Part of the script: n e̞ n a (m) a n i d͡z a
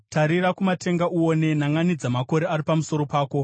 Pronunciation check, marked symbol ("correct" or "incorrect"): incorrect